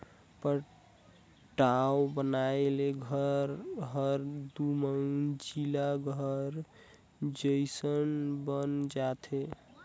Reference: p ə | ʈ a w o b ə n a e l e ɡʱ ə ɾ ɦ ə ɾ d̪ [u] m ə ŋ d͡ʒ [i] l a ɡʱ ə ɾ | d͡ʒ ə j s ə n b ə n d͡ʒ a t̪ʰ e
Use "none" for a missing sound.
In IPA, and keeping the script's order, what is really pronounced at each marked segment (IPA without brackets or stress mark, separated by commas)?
u, i